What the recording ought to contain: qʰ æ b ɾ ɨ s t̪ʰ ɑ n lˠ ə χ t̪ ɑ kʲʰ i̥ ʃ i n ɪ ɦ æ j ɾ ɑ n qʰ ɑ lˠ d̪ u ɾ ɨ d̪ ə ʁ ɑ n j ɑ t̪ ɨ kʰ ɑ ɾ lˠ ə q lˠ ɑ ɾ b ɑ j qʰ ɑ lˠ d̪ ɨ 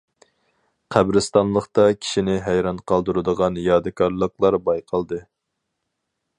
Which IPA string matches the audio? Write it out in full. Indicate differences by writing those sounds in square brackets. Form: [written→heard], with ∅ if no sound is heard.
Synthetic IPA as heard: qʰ æ b ɾ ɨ s [t̪ʰ→t̪] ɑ n lˠ ə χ t̪ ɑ kʲʰ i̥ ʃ i n ɪ ɦ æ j ɾ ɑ n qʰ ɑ lˠ d̪ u ɾ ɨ d̪ ə ʁ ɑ n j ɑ [t̪→d̪] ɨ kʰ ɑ ɾ lˠ ə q lˠ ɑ ɾ b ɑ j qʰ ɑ lˠ d̪ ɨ